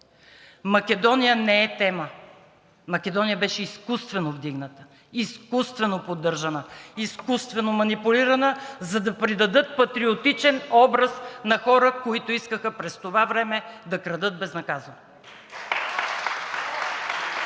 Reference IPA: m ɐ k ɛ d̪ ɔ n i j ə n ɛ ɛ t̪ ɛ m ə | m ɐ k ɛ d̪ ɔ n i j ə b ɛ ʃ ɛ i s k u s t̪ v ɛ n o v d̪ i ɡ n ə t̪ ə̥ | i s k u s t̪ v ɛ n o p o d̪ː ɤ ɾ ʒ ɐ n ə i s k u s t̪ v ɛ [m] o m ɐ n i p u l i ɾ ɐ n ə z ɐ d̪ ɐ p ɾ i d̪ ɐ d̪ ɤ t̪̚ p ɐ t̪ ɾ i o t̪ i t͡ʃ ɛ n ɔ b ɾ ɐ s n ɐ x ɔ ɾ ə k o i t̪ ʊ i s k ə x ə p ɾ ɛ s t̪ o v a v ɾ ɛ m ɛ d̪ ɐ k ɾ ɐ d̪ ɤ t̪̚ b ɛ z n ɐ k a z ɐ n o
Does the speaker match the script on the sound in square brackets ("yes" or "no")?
no